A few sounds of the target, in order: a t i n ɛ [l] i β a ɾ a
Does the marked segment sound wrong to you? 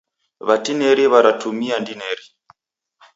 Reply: yes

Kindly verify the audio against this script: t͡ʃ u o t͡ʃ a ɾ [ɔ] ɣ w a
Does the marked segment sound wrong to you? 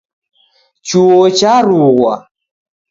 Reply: yes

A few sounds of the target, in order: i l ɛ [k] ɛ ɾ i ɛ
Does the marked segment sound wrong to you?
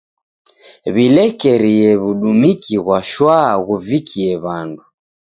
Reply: no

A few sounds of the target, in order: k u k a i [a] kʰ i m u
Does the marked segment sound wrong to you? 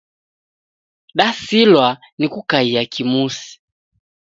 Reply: no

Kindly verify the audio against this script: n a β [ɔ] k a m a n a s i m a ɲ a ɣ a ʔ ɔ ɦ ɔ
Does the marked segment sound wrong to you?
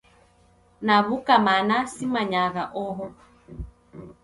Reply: yes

